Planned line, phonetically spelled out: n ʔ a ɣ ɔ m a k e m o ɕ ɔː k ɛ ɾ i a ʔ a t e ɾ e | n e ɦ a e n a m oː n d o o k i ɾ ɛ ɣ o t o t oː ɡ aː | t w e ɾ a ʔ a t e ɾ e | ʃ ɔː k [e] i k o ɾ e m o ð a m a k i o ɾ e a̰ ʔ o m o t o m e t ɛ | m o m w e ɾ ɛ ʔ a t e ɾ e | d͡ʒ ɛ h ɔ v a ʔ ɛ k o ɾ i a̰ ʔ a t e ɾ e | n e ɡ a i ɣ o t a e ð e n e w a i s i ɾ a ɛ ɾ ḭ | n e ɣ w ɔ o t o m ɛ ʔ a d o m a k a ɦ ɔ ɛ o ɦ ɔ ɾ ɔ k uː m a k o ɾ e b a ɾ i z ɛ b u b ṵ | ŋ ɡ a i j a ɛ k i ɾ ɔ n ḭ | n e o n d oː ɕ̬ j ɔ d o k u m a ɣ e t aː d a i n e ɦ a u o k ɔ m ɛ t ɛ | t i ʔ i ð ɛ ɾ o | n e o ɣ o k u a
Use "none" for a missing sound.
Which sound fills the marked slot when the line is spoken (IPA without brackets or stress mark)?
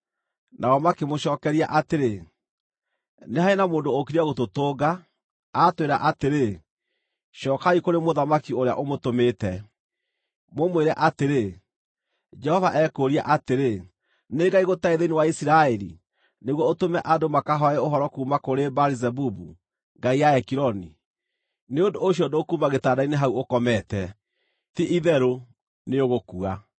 a